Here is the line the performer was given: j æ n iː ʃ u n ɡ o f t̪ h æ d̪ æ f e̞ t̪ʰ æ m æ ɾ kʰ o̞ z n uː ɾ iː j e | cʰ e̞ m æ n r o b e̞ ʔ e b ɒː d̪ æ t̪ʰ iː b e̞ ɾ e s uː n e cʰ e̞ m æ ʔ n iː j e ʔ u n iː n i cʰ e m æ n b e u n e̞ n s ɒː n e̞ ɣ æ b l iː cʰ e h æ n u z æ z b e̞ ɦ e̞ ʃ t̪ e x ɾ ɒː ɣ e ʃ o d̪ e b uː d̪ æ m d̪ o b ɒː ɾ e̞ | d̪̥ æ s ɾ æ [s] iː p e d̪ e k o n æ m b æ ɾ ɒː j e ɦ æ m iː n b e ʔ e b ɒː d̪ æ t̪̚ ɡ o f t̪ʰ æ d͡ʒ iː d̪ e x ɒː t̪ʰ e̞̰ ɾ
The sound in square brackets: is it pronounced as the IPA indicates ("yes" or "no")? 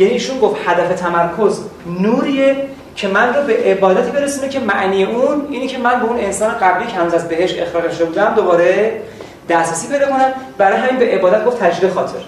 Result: yes